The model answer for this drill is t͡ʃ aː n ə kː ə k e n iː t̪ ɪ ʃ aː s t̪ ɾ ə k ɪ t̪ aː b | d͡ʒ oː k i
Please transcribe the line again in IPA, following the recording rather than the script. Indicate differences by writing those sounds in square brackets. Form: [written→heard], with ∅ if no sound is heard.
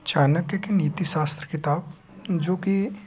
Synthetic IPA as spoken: t͡ʃ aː n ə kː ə k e n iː t̪ [ɪ→i] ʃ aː s t̪ ɾ ə k ɪ t̪ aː b | d͡ʒ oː k i